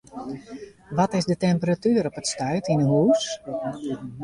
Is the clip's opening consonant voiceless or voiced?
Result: voiced